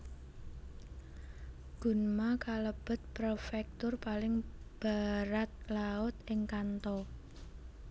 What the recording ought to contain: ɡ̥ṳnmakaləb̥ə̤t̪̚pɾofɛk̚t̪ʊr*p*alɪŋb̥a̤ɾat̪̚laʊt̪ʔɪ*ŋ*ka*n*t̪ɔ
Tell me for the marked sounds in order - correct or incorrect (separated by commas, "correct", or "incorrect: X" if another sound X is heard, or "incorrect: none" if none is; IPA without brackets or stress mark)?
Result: correct, correct, correct